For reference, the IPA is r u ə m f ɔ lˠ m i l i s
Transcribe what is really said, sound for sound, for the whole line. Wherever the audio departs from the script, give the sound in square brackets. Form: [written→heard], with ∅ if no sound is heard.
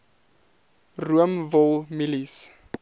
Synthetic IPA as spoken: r u ə m [f→v] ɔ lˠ m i l i s